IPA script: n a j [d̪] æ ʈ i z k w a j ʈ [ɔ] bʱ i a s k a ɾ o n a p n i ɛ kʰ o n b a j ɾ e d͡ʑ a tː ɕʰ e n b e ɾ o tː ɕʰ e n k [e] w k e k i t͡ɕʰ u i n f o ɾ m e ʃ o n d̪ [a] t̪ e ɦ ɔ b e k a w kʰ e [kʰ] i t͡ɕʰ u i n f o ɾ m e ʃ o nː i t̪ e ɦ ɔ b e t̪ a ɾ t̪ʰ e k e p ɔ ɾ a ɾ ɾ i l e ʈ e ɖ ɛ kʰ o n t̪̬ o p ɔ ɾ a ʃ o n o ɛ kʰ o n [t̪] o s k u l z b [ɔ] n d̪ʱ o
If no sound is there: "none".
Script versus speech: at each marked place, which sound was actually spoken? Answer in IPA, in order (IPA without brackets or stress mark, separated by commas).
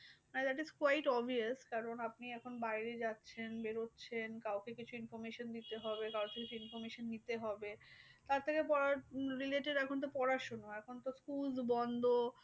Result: d̪, ɔ, a, i, k, t̪, ɔ